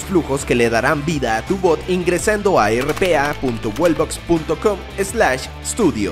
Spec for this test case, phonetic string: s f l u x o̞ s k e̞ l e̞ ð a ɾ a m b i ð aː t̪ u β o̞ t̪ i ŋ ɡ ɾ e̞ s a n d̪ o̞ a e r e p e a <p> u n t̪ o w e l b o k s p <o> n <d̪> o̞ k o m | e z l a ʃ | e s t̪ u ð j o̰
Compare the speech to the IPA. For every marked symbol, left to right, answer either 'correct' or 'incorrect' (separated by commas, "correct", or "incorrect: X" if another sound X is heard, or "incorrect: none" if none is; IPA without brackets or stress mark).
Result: correct, incorrect: u, incorrect: t̪